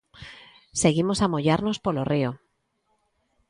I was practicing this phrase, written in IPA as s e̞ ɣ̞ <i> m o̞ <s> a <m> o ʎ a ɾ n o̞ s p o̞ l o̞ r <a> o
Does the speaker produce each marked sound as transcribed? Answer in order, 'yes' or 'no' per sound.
yes, yes, yes, no

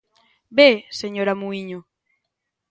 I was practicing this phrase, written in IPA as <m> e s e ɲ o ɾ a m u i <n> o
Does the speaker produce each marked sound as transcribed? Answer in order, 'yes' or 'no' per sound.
no, no

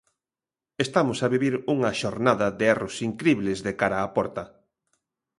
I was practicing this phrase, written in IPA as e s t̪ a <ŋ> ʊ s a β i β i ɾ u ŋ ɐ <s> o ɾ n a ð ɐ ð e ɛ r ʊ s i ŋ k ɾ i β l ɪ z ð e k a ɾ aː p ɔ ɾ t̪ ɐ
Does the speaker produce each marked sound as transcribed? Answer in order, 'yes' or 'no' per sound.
no, no

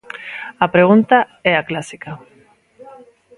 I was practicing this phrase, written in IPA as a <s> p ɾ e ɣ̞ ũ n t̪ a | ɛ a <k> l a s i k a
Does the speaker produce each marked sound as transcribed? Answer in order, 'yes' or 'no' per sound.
no, yes

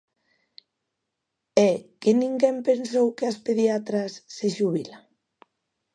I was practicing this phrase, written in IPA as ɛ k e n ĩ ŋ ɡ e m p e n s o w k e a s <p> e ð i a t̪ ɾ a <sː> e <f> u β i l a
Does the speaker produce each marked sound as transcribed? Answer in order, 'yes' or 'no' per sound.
yes, yes, no

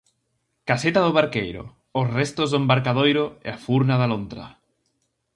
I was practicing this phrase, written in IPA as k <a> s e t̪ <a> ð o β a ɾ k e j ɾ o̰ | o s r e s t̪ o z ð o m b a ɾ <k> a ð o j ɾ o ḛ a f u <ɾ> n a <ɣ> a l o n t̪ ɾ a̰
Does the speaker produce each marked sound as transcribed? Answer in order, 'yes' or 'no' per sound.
yes, yes, yes, yes, no

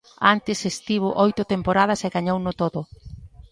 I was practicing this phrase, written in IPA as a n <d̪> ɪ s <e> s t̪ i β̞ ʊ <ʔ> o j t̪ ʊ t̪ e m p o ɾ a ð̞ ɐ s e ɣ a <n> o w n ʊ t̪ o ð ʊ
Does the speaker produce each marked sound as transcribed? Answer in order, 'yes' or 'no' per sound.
no, yes, yes, no

